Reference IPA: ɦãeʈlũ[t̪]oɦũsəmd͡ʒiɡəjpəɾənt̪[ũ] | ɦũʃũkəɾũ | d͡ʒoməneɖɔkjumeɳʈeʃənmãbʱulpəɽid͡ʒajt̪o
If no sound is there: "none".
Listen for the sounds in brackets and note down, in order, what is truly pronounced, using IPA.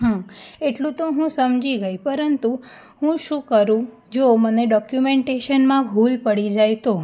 t̪, u

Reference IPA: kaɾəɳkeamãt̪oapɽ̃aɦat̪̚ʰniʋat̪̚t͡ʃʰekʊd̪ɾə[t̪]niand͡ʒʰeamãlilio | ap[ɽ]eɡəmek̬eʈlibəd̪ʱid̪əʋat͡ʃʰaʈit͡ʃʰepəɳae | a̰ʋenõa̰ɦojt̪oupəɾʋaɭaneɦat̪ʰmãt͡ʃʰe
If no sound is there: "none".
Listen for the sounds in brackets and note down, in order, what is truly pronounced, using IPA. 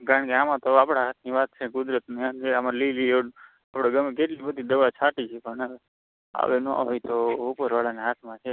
t̪, ɽ

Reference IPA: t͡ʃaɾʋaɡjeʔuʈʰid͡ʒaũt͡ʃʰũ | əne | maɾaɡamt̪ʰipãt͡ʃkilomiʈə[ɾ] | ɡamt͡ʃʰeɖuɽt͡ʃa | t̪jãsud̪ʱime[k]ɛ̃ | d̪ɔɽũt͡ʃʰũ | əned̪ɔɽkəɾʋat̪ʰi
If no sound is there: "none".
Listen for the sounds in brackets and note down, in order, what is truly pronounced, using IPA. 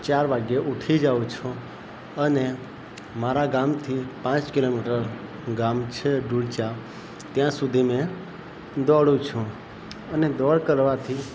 ɾ, none

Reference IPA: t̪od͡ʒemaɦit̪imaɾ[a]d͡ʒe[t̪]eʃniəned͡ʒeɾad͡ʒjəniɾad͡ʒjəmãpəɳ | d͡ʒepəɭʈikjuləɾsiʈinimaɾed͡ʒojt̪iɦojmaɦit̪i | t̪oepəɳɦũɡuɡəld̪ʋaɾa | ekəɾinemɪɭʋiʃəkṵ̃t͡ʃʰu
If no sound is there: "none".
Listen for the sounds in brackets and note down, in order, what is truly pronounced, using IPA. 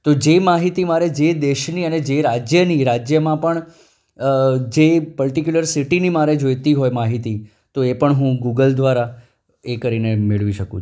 e, d̪

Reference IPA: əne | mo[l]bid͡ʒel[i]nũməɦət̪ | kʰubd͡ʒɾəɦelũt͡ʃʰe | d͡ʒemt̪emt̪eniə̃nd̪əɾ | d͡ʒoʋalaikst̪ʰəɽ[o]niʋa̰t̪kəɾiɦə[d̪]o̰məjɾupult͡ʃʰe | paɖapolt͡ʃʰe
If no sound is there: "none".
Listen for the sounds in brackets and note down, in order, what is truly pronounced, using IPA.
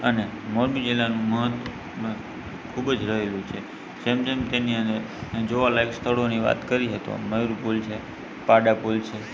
ɾ, a, o, t̪

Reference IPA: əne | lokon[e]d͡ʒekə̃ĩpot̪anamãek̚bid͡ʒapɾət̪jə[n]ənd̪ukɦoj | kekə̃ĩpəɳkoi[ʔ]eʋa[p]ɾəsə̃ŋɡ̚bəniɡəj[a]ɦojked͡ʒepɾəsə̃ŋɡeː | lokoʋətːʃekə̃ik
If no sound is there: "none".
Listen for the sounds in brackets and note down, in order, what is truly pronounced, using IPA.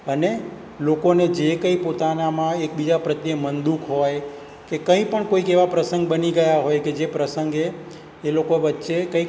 e, m, k, p, a

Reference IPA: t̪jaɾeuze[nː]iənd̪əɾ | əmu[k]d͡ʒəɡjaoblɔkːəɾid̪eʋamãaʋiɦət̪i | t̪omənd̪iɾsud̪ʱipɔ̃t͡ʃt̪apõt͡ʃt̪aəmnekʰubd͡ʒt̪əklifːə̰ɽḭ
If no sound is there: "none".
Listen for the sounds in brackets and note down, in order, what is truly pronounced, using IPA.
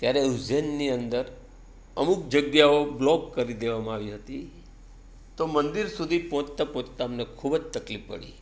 nː, k

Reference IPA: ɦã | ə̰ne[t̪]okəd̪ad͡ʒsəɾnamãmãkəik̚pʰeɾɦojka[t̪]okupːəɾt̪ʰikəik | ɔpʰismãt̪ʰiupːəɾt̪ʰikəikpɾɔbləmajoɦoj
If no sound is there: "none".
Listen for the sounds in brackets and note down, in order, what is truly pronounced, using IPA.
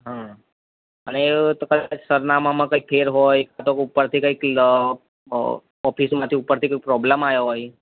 t̪, t̪

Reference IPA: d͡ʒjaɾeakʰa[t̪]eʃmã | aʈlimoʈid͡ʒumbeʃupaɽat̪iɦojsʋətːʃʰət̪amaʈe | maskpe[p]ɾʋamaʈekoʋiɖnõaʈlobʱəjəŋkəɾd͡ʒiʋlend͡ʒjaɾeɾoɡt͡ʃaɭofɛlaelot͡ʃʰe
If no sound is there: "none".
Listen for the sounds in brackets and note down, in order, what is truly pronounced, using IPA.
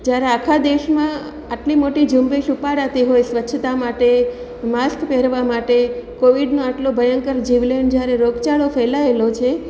d̪, none

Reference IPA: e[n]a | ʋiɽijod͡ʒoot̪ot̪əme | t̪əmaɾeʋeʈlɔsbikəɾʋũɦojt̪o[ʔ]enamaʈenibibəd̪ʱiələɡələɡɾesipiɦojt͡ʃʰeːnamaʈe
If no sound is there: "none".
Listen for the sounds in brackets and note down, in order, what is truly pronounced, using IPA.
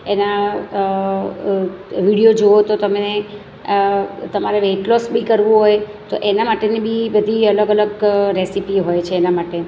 n, ʔ

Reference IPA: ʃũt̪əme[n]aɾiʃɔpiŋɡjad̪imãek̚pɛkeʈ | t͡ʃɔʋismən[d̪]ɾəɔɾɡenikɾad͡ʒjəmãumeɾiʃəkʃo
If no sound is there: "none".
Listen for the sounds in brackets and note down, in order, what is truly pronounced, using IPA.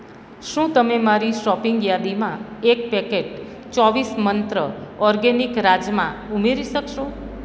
m, t̪

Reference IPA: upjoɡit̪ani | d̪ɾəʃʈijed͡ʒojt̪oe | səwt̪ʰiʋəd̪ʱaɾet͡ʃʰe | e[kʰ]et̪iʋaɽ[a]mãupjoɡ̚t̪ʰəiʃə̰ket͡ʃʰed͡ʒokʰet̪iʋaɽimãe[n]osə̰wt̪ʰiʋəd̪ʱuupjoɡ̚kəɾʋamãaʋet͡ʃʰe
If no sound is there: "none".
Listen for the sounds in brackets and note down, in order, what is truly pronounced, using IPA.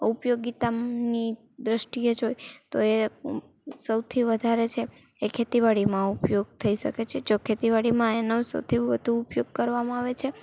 kʰ, i, n

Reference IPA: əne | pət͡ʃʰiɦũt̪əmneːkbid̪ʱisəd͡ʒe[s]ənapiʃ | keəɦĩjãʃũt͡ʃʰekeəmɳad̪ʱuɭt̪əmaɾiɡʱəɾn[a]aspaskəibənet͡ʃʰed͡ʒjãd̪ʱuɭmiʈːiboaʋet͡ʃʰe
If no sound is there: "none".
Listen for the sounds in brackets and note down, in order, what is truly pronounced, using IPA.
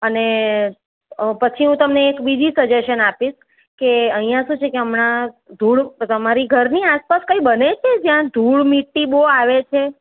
ʃ, i

